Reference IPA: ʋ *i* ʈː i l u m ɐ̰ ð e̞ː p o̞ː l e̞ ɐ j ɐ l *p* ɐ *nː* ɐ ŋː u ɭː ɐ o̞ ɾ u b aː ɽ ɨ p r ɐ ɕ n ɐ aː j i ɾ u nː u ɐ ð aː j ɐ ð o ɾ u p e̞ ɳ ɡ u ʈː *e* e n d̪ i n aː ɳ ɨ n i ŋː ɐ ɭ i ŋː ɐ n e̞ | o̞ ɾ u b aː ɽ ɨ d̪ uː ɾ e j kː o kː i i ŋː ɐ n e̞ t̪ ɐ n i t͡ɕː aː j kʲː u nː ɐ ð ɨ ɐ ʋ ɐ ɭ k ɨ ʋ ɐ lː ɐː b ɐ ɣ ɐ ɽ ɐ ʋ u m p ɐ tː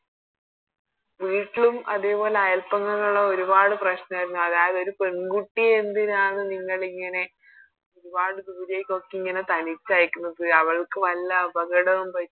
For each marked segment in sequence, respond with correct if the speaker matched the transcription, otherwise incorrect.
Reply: incorrect, correct, incorrect, incorrect

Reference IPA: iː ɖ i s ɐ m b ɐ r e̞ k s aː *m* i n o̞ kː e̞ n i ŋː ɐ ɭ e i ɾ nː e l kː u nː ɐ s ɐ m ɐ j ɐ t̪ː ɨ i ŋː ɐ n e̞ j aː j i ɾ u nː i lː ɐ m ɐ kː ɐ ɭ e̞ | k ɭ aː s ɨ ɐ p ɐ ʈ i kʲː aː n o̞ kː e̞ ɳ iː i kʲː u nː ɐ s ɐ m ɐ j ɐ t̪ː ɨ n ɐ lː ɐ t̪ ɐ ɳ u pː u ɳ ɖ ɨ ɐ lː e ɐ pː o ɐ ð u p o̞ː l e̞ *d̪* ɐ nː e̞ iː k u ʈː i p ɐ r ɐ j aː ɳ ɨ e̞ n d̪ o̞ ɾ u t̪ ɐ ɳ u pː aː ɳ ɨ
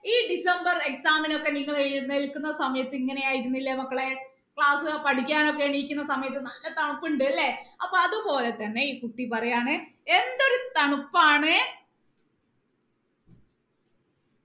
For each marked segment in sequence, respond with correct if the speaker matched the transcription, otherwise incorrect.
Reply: correct, incorrect

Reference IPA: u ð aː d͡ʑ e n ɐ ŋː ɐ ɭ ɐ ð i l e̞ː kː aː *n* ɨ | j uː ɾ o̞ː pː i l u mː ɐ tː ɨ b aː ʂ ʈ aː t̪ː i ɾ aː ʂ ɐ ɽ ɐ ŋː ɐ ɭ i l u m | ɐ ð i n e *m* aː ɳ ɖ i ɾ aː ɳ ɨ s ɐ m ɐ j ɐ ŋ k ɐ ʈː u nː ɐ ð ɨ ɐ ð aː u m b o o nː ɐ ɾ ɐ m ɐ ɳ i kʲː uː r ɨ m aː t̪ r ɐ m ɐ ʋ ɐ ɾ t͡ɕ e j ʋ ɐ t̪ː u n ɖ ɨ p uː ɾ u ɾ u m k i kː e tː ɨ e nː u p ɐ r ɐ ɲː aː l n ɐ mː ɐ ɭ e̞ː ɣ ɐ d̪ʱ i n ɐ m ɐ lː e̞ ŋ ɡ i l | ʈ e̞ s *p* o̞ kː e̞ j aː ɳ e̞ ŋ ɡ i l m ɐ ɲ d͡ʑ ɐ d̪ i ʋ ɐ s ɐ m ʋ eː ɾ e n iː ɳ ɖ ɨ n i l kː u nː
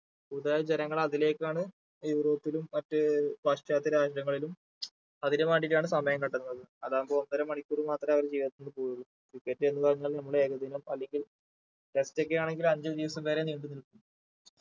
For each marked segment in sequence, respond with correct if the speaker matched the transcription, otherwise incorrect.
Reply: incorrect, correct, incorrect

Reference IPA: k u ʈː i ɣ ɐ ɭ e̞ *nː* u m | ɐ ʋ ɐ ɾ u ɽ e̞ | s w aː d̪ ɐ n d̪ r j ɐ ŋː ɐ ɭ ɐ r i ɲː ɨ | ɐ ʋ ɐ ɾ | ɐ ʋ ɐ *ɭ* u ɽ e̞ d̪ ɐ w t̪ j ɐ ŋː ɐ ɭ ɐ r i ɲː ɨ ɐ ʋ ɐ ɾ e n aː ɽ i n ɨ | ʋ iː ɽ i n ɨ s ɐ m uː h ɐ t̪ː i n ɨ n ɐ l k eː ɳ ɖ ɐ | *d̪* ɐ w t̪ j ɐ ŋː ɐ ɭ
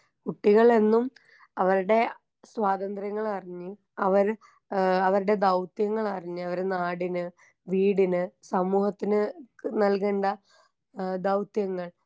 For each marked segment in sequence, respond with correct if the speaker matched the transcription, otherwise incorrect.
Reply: correct, incorrect, correct

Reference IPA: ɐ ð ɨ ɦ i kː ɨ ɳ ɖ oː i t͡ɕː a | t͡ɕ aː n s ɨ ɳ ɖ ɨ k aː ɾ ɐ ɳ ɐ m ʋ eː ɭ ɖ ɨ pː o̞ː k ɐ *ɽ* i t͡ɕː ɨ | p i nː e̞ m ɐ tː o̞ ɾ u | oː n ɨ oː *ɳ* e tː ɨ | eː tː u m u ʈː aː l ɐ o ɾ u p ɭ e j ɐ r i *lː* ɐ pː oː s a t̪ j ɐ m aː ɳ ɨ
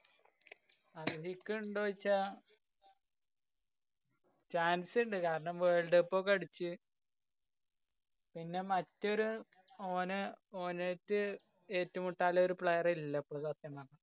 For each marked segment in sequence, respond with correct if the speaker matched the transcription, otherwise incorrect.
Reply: correct, incorrect, correct

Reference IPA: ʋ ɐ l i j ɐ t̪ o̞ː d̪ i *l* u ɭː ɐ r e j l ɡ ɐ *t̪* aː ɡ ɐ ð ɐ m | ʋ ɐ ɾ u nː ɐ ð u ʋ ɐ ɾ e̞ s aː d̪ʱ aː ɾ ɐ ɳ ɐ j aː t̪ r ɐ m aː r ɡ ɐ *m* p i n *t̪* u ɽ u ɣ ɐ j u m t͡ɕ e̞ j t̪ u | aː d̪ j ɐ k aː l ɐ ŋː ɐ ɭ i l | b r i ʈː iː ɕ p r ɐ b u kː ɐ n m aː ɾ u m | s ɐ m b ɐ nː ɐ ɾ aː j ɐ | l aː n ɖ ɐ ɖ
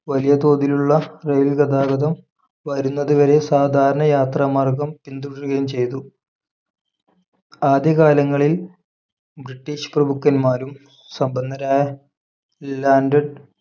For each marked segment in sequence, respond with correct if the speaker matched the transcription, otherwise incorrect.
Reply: correct, incorrect, correct, incorrect

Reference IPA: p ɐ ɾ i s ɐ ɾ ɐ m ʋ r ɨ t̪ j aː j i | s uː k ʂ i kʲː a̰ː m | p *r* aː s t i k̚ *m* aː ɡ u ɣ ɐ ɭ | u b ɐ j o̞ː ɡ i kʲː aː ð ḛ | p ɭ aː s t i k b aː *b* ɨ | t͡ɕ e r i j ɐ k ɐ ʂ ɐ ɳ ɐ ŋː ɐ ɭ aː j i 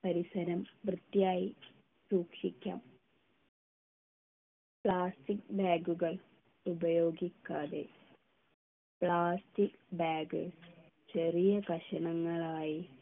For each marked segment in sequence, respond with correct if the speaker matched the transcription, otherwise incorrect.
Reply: incorrect, incorrect, incorrect

